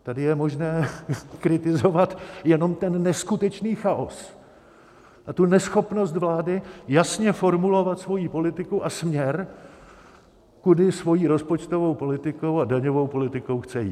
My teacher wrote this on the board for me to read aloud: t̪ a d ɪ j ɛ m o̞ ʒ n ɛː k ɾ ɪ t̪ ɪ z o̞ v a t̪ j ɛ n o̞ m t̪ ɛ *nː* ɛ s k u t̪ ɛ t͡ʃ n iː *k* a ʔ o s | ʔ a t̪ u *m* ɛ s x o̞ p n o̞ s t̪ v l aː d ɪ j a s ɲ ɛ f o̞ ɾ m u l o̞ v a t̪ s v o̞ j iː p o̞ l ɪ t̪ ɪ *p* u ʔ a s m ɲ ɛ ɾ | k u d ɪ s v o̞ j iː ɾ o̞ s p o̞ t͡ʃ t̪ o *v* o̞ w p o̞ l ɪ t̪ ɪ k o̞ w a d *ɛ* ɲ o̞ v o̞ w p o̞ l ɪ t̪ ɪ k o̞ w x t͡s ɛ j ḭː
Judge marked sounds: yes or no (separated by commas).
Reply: yes, no, no, no, yes, no